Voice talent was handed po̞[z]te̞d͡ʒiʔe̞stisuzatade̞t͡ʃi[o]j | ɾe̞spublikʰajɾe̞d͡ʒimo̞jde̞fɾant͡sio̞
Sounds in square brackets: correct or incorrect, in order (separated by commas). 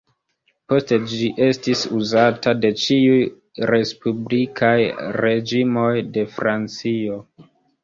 incorrect, incorrect